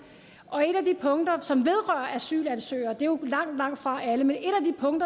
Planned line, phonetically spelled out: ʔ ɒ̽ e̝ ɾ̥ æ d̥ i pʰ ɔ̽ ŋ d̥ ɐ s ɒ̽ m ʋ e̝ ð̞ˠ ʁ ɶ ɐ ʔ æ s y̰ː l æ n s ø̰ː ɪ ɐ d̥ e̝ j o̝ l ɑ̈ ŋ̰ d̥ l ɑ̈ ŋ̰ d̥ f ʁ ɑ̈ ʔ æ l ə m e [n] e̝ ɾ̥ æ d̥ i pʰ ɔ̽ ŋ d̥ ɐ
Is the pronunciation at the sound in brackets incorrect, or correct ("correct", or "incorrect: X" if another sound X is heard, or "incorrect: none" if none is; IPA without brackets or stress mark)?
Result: correct